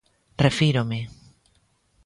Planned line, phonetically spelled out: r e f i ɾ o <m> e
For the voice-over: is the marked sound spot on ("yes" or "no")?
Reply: yes